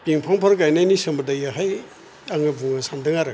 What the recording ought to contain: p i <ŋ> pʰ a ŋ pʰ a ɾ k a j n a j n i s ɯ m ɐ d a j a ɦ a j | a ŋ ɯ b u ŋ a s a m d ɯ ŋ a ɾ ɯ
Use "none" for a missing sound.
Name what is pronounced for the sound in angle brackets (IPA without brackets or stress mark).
ŋ